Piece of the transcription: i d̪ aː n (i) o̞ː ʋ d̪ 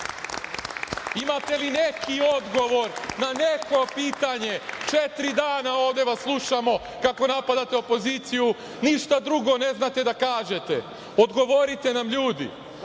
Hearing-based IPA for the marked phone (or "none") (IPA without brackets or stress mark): a